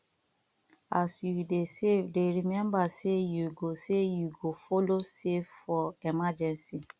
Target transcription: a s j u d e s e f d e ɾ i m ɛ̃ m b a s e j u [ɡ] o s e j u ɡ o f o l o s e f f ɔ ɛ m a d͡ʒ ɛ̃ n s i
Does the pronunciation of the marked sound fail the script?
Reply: no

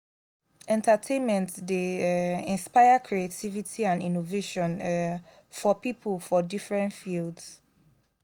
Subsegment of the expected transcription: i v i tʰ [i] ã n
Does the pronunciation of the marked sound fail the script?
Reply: no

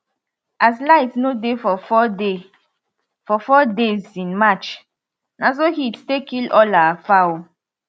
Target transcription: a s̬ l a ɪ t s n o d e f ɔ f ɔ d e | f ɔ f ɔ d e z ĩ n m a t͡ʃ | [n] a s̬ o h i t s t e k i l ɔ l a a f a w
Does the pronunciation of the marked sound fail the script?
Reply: no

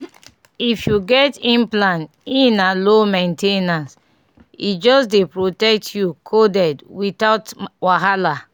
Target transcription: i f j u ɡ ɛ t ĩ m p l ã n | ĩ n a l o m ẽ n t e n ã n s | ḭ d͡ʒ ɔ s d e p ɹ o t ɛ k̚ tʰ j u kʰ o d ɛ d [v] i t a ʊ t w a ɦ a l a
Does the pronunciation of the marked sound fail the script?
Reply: yes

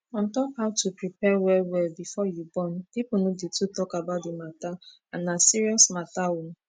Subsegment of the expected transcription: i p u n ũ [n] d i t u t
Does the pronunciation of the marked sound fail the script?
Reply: yes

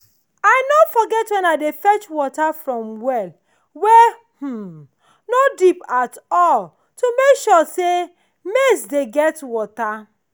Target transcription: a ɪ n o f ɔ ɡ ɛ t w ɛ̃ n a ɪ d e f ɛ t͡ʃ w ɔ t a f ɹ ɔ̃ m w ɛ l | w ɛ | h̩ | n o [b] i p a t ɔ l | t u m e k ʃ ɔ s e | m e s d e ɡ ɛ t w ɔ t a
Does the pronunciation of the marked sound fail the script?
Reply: yes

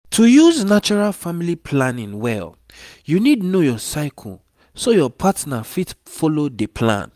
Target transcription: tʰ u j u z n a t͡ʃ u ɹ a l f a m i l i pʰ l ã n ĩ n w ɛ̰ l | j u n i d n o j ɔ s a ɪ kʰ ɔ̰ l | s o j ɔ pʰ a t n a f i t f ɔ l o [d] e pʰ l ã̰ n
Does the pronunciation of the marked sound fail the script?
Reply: no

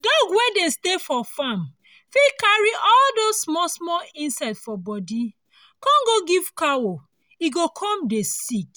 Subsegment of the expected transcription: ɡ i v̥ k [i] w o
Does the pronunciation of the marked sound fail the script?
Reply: yes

